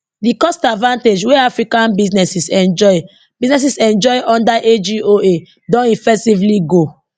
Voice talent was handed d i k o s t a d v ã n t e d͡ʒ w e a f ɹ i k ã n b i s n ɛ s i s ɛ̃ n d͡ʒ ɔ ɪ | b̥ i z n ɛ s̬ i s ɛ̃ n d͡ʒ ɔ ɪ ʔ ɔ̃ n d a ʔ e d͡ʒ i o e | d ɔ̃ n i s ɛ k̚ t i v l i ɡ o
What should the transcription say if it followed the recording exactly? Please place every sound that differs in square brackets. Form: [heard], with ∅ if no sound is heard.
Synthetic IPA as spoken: d i k [ɔ] s t a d v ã n t e d͡ʒ w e a f ɹ i k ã n b i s n ɛ s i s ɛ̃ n d͡ʒ ɔ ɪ | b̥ i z n ɛ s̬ i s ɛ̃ n d͡ʒ ɔ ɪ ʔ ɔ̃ n d a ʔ e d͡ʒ i o e | d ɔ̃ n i [f] ɛ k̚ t i v l i ɡ o